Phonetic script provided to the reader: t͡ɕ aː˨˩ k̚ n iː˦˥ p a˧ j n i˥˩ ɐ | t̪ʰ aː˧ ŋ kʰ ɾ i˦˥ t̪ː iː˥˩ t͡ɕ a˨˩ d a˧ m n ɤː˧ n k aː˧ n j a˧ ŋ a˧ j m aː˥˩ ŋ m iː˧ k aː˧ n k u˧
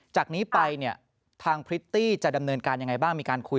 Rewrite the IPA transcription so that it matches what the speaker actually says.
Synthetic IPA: t͡ɕ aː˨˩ k̚ n iː˦˥ p a˧ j n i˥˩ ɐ | t̪ʰ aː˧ ŋ pʰ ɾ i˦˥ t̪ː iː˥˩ t͡ɕ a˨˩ d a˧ m n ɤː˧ n k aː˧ n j a˧ ŋ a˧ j b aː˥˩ ŋ m iː˧ k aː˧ n kʰ u˧